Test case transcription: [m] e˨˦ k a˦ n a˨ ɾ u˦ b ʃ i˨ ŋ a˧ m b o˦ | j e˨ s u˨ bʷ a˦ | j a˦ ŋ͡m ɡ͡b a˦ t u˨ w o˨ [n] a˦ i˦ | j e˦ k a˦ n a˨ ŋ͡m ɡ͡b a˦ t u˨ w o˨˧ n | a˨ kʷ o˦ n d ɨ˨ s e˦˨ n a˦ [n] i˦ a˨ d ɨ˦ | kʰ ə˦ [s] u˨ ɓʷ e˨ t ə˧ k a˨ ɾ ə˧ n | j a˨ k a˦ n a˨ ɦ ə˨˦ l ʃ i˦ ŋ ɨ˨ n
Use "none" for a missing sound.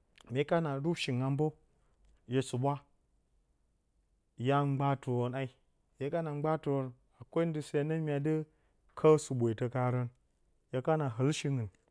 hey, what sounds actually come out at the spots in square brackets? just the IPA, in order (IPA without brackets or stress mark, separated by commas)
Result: m, n, m, s